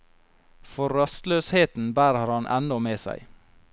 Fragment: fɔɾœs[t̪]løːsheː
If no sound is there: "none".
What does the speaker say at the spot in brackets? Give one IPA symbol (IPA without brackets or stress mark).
t̪